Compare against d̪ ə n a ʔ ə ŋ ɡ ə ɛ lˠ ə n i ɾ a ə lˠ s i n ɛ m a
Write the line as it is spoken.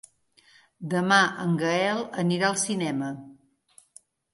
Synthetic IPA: d̪ ə m a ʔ ə ŋ ɡ ə ɛ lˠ ə n i ɾ a ə lˠ s i n ɛ m ə